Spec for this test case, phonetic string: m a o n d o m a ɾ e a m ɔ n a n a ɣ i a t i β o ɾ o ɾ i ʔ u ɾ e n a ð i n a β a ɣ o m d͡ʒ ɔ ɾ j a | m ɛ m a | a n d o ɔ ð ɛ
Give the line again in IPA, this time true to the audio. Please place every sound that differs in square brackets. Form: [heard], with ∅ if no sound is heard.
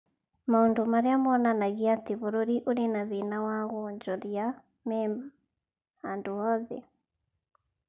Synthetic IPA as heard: m a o n d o m a ɾ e a m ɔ n a n a ɣ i a t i β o ɾ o ɾ i ʔ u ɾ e n a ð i n a [w] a ɣ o [ɲ] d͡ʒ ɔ ɾ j a | m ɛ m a | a n d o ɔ ð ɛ